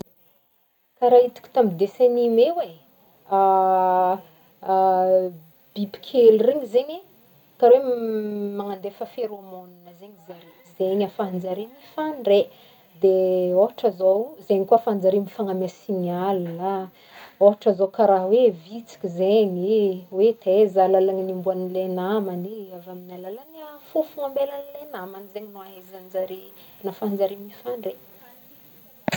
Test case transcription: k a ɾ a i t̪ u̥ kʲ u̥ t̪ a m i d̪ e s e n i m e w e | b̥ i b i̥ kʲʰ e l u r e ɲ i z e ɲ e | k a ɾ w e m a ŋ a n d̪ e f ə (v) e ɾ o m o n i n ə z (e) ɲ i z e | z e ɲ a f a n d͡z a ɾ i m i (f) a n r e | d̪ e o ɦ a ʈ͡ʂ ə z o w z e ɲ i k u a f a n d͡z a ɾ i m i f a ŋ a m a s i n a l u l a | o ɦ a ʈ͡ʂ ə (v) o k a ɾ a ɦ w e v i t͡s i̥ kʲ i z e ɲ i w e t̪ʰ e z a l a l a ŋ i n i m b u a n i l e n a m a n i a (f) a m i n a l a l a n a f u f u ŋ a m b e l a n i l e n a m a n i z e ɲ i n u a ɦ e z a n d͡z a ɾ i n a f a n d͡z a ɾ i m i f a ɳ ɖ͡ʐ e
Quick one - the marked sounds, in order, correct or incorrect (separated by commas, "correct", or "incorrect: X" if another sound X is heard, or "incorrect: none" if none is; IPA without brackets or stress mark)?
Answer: incorrect: f, correct, correct, incorrect: z, incorrect: v